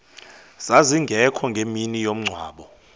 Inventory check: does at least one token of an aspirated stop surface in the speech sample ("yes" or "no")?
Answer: yes